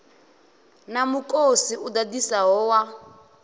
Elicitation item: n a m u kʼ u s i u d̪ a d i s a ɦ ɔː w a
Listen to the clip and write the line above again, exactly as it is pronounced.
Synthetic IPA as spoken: n a m u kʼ o s i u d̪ a d i s a ɦ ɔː w a